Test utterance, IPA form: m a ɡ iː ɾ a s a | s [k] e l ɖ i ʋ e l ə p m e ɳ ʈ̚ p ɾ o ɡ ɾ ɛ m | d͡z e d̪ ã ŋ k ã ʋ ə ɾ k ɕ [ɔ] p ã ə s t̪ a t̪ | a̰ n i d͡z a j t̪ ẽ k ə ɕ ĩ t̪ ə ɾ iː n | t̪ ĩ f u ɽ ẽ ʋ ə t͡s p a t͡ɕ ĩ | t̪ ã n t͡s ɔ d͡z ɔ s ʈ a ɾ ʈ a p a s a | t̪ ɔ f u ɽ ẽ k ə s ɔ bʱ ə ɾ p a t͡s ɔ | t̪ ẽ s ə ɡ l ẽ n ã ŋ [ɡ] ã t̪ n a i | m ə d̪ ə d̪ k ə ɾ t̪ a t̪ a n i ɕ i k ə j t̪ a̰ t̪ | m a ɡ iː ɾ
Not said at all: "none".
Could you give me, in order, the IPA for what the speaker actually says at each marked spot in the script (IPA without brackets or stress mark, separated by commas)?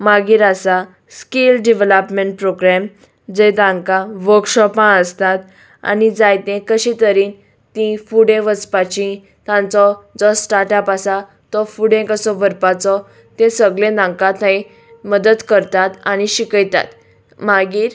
k, ɔ, k